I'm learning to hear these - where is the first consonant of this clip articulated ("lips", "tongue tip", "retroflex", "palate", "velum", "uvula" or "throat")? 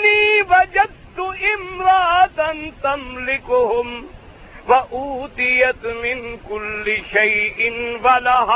tongue tip